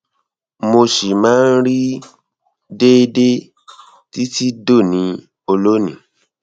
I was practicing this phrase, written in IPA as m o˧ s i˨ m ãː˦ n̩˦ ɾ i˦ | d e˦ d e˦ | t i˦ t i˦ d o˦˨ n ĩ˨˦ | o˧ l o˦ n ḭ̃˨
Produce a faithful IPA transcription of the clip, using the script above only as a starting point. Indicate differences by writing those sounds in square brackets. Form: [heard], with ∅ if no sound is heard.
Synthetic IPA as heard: m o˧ [ʃ] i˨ m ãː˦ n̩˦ ɾ i˦ | d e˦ d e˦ | t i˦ t i˦ d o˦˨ n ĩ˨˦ | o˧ l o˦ n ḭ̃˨